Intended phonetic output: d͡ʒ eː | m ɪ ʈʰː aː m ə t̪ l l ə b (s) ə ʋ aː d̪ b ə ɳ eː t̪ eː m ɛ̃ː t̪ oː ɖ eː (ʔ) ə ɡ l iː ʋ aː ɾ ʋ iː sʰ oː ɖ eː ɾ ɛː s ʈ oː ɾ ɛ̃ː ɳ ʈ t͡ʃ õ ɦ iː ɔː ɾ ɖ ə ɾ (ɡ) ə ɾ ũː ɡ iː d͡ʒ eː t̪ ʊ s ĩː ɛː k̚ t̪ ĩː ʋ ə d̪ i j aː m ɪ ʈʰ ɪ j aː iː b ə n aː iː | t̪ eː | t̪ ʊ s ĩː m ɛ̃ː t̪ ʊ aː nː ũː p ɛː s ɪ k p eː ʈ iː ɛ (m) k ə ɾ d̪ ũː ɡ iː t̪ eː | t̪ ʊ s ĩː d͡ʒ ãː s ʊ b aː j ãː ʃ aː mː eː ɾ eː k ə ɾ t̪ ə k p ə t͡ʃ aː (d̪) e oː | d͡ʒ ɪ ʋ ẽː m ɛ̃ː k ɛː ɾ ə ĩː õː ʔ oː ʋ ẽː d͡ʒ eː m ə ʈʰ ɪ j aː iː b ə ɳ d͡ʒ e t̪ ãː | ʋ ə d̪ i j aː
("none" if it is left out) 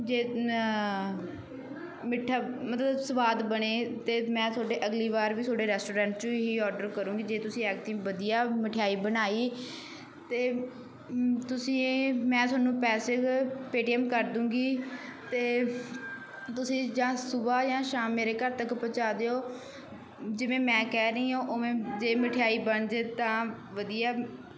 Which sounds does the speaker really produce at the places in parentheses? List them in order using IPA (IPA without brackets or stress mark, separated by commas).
s, ʔ, k, m, d̪